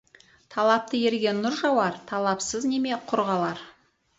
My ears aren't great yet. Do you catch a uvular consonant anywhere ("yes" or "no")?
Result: yes